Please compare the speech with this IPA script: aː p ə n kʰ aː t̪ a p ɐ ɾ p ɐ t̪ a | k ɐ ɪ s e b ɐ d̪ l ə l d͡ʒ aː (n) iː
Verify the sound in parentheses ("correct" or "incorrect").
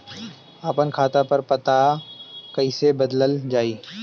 incorrect